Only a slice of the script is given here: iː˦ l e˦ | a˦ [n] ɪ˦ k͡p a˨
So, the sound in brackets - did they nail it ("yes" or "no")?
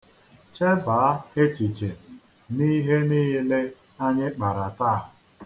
no